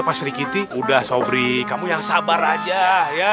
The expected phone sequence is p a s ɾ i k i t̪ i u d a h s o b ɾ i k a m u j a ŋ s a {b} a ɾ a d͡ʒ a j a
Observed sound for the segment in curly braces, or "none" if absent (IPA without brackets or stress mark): b